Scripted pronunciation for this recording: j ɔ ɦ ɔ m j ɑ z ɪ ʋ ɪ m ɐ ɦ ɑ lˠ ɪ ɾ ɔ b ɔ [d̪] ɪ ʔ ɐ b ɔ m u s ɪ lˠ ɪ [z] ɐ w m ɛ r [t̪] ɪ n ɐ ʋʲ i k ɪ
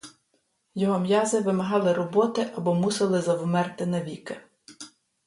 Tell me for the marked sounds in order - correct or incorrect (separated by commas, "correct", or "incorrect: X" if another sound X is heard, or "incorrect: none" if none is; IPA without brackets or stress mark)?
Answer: incorrect: t̪, correct, correct